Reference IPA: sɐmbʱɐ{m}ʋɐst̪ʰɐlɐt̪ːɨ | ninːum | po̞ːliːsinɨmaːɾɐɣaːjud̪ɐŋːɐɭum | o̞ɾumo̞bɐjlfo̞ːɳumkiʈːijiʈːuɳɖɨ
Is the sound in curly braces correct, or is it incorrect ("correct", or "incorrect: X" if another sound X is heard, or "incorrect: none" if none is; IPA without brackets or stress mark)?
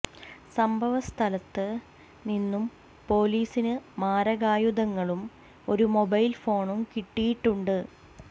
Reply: incorrect: none